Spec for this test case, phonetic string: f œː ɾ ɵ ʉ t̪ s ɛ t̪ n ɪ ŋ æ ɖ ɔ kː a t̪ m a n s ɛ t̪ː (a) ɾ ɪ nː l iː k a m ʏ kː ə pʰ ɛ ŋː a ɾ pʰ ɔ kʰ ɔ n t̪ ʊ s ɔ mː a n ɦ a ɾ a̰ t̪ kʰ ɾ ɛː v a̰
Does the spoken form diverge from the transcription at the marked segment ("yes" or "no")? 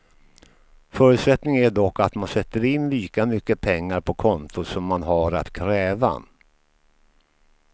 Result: yes